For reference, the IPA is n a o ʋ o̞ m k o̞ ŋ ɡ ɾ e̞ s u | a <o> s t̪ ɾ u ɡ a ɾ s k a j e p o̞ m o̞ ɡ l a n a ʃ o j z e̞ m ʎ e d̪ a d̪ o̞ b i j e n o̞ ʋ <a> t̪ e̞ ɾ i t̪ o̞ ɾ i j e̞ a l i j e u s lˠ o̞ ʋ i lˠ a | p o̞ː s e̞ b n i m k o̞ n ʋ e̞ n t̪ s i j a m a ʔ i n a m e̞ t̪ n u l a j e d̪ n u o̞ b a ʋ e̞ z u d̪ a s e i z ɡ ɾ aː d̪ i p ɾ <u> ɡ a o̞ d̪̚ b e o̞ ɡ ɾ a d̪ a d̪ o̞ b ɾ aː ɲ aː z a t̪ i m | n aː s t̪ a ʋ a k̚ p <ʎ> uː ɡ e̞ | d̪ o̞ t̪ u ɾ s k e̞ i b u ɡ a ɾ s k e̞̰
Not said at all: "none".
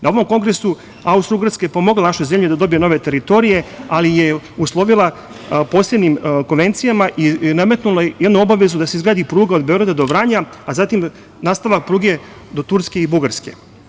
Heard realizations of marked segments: u, e, uː, ɾ

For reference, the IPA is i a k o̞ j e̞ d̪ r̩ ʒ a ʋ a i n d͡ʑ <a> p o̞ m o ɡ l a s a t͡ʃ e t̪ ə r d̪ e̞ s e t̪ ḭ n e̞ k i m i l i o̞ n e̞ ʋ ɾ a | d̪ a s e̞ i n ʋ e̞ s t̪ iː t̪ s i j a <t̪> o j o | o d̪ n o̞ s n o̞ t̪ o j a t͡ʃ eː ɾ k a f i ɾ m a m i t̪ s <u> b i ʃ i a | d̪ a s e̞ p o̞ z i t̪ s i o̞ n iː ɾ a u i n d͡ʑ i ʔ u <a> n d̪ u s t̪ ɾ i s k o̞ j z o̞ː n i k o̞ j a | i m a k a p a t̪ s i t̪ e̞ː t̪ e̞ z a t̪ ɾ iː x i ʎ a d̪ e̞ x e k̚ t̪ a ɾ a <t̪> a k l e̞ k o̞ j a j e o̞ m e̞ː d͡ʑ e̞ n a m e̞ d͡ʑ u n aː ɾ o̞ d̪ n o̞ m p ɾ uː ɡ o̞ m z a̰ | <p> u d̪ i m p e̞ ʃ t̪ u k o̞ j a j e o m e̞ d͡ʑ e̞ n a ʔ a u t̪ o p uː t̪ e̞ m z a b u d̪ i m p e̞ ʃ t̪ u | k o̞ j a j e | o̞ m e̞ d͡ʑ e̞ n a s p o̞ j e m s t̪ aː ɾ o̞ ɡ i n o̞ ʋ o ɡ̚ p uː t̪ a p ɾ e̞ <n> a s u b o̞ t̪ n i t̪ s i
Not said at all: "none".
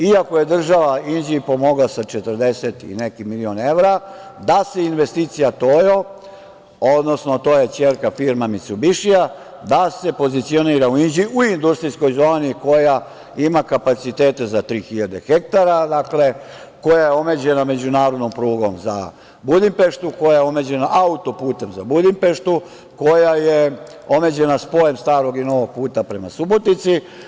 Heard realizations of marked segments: i, t̪, u, i, d̪, b, m

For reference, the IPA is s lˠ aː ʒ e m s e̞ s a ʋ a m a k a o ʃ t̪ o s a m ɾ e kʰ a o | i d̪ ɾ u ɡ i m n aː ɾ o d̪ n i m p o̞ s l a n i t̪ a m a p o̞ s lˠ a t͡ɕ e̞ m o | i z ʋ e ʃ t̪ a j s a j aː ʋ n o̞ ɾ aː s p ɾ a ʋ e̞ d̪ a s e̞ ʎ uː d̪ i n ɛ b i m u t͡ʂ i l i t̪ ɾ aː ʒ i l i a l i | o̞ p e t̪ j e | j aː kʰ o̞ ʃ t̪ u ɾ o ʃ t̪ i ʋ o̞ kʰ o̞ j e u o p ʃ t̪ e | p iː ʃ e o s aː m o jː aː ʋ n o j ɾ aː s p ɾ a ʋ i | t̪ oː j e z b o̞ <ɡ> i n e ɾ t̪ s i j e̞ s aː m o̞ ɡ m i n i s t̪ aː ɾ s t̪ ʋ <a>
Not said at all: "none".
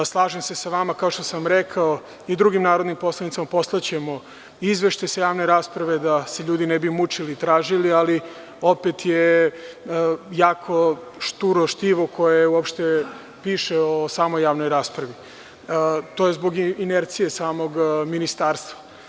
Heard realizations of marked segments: ɡ, a

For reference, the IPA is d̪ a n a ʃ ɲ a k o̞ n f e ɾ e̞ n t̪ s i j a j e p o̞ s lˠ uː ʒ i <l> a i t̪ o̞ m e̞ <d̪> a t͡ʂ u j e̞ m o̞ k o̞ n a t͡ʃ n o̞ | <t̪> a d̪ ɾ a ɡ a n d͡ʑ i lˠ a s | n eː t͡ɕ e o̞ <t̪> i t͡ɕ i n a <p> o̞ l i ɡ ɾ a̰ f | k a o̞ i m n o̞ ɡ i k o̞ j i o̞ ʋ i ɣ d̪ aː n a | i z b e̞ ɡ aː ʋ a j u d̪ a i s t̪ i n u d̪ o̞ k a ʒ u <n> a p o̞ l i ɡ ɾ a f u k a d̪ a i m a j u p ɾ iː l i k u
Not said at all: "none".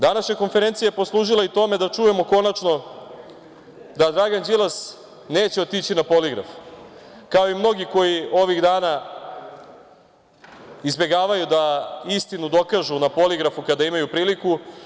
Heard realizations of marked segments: l, d̪, d̪, t̪, p, n

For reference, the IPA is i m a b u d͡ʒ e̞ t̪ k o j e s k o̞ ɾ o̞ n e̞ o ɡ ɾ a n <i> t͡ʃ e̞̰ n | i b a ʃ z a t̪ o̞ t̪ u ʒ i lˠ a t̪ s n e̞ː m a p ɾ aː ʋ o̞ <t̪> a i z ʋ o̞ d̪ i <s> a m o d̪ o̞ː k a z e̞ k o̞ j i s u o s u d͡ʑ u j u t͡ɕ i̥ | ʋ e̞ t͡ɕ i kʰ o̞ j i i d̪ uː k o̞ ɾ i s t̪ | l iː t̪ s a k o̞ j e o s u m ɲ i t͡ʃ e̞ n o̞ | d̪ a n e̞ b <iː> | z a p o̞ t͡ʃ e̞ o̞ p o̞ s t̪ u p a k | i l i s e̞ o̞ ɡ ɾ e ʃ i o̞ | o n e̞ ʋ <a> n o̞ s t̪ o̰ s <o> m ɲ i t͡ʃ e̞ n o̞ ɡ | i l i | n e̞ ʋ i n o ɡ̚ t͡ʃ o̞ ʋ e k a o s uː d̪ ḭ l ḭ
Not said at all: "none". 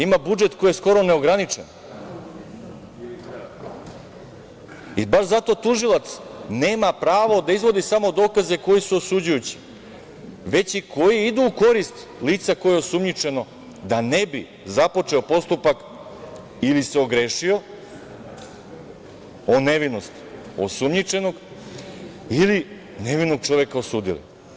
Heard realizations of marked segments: i, d̪, s, i, i, u

